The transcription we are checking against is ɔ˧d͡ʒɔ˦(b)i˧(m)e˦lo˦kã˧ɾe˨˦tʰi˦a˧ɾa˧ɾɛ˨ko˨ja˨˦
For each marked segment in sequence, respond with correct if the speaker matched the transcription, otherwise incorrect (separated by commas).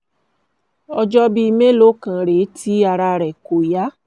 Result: correct, correct